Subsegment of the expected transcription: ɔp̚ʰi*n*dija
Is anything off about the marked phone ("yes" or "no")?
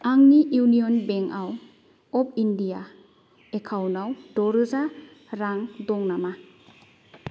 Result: no